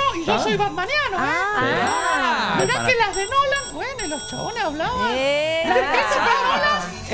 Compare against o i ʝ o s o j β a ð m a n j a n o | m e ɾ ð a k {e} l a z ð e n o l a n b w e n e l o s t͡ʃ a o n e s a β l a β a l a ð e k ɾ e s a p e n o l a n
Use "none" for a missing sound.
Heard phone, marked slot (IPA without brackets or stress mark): e